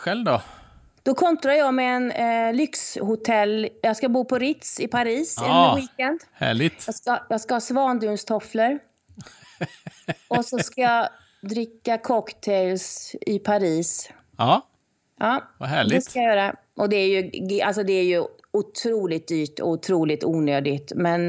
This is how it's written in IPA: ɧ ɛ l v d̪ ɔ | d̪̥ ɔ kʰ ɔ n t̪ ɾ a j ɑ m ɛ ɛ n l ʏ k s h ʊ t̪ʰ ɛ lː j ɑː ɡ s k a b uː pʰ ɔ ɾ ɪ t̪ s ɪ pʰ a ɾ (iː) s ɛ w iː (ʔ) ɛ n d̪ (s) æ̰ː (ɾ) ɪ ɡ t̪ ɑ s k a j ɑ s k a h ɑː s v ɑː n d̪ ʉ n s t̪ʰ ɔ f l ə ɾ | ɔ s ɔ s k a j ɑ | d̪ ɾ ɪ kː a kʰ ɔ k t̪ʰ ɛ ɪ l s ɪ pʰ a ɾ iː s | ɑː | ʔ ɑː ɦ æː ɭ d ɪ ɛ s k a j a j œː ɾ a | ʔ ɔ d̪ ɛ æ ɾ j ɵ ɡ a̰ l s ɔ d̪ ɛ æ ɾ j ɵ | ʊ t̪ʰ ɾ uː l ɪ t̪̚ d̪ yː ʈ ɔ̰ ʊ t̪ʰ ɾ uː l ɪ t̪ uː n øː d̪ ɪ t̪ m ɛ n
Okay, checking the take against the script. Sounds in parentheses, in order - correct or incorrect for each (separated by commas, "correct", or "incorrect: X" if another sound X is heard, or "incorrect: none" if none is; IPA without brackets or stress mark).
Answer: correct, incorrect: k, incorrect: h, incorrect: ɭ